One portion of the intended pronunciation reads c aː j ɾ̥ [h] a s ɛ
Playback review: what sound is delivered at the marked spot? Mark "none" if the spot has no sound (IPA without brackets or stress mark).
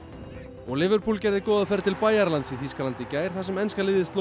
θ